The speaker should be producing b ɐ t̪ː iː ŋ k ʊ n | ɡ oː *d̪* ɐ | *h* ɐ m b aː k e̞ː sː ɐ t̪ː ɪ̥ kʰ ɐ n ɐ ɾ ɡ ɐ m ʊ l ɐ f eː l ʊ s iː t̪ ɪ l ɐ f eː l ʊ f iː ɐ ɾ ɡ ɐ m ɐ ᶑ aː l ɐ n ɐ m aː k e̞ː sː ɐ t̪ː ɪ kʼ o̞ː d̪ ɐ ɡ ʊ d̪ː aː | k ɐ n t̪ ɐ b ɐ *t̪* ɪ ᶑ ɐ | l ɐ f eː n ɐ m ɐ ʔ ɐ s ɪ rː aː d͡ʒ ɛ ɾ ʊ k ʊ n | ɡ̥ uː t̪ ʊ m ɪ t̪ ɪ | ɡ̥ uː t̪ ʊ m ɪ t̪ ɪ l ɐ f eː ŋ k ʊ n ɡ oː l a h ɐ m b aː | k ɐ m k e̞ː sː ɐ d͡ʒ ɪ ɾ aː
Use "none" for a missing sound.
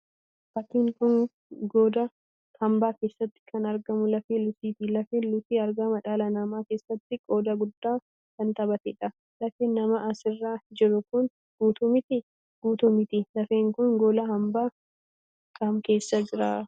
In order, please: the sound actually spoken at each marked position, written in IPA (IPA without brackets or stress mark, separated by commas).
d̪, h, t̪